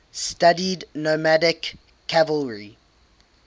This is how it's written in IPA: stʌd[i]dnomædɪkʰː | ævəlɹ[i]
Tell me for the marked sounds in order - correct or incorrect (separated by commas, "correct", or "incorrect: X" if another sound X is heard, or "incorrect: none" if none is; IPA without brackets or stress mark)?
correct, correct